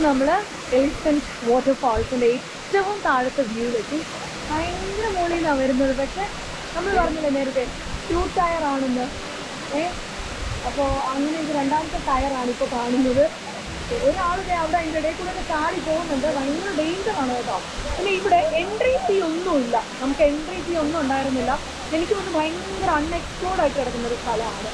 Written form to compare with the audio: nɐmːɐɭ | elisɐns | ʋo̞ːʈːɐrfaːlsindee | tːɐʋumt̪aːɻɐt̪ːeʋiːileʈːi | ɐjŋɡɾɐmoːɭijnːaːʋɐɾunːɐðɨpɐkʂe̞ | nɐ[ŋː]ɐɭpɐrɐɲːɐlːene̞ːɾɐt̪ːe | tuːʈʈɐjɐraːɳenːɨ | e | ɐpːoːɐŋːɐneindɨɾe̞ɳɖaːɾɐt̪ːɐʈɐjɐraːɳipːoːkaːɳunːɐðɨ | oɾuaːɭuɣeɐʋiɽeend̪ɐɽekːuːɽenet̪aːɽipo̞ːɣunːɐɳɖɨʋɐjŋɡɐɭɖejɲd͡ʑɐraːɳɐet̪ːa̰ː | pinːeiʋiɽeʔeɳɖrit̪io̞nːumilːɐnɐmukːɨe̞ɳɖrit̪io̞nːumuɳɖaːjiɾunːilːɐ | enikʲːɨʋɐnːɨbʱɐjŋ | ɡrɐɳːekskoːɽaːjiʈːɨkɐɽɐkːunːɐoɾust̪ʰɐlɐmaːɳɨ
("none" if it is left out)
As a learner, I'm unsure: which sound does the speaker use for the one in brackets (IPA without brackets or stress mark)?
mː